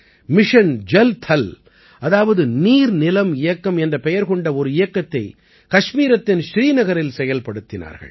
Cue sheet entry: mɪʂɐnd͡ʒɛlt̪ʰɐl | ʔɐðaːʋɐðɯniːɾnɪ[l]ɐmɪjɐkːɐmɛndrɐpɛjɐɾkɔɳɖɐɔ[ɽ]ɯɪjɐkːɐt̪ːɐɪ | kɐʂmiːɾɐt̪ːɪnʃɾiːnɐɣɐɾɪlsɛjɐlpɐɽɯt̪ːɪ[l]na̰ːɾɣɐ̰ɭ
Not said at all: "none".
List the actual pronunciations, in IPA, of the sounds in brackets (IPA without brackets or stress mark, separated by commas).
l, ɾ, none